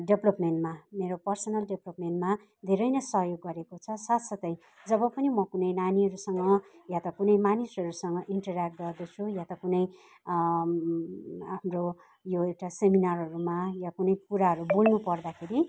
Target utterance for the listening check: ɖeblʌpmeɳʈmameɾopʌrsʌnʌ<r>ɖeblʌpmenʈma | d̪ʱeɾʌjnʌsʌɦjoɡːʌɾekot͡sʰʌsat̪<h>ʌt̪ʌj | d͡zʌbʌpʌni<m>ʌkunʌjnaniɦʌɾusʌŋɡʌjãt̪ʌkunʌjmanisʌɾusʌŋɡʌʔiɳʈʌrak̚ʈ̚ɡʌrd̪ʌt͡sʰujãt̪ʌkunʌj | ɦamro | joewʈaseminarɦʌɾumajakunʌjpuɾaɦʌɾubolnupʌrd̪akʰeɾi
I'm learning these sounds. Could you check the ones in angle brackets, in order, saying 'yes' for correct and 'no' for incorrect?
no, no, yes

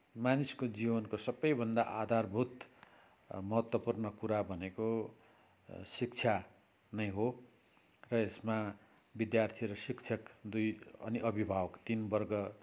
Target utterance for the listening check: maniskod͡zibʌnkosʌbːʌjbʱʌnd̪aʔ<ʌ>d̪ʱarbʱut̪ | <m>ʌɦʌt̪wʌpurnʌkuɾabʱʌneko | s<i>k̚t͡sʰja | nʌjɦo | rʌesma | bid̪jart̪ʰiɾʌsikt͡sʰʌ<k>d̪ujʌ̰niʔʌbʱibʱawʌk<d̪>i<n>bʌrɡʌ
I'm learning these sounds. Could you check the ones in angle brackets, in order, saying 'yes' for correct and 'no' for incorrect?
no, yes, yes, yes, no, yes

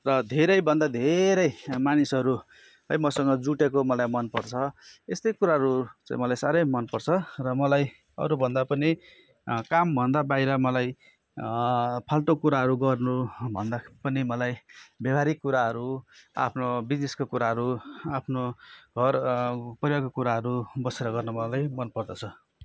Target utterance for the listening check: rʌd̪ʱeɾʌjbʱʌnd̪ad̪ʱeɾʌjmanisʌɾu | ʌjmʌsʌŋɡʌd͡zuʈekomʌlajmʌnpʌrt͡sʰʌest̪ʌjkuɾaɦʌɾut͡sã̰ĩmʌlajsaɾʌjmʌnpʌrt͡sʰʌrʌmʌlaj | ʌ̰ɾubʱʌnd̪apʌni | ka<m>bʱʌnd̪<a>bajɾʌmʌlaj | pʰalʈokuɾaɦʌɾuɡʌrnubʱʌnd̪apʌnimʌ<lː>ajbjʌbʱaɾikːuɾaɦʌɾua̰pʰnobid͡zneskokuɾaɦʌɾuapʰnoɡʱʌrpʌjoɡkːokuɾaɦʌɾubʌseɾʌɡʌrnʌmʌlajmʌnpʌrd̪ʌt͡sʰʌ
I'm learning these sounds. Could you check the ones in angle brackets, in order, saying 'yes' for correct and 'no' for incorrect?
yes, yes, no

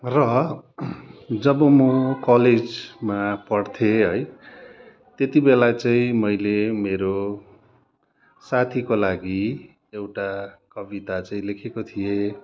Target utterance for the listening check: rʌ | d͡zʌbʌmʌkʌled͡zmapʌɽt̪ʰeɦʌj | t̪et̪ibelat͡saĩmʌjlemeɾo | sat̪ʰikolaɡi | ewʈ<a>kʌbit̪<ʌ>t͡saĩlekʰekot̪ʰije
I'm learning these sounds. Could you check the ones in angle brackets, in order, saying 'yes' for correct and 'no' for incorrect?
yes, no

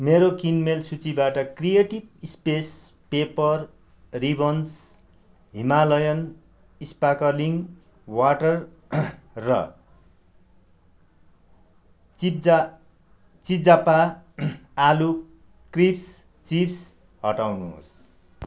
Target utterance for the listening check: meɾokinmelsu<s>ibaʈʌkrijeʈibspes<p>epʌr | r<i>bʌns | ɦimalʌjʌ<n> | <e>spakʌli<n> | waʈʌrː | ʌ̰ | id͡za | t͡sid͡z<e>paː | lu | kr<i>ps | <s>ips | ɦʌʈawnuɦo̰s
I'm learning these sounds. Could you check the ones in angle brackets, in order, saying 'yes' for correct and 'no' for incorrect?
no, yes, yes, yes, no, no, no, yes, no

